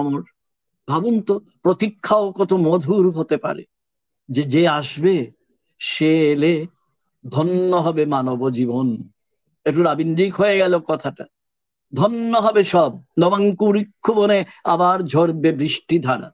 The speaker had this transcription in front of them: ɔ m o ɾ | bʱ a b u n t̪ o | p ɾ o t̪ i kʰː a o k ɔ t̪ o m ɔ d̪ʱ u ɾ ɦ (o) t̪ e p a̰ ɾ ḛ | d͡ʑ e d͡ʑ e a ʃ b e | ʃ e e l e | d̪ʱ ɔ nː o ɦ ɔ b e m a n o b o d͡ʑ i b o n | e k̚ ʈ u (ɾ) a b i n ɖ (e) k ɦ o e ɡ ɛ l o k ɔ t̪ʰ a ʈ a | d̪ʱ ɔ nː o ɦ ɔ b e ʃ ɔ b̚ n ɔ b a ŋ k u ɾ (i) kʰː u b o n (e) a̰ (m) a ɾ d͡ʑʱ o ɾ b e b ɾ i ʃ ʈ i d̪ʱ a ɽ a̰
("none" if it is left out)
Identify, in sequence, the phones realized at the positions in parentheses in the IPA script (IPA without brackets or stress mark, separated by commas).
o, ɾ, i, i, e, b